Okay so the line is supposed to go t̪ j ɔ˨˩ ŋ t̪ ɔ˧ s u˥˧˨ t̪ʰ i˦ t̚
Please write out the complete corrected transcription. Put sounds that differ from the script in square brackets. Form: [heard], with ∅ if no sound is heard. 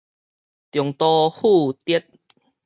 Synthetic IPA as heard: t̪ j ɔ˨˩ ŋ t̪ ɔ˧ [h] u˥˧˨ [t̪] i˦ t̚